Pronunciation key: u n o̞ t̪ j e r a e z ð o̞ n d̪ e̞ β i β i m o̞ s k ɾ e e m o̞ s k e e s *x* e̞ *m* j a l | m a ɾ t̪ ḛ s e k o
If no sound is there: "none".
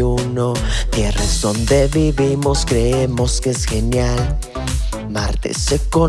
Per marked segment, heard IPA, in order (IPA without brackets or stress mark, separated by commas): x, n